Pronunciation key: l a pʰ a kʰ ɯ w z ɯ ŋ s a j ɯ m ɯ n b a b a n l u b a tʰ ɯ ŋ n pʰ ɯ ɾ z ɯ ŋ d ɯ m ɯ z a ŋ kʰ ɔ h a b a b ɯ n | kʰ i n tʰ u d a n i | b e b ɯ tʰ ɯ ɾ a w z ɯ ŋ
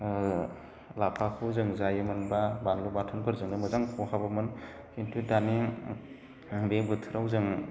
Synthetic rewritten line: l a pʰ a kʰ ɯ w z ɯ ŋ z a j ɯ m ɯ n b a b a n l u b a tʰ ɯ n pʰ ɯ ɾ z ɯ ŋ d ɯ m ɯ z a ŋ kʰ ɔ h a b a m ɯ n | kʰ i n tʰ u d a n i | b e b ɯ tʰ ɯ ɾ a w z ɯ ŋ